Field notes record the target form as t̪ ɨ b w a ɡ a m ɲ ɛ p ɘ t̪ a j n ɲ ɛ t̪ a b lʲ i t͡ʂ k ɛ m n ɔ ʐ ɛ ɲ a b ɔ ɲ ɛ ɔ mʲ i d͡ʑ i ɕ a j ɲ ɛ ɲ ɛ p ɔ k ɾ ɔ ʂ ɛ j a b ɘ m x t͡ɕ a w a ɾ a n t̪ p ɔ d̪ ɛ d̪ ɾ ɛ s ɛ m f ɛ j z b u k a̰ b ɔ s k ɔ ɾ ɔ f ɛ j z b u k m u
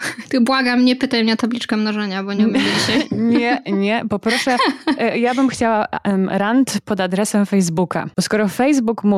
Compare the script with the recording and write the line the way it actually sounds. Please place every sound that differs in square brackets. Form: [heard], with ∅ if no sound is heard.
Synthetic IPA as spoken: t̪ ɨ b w a ɡ a m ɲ ɛ p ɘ t̪ a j [m] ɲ ɛ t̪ a b lʲ i t͡ʂ k ɛ m n ɔ ʐ ɛ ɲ a b ɔ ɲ ɛ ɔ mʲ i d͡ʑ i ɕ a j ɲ ɛ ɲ ɛ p ɔ [p] ɾ ɔ ʂ ɛ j a b ɘ m x t͡ɕ a w a ɾ a n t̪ p ɔ d̪ [a] d̪ ɾ ɛ s ɛ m f ɛ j z b u k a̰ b ɔ s k ɔ ɾ ɔ f ɛ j z b u k m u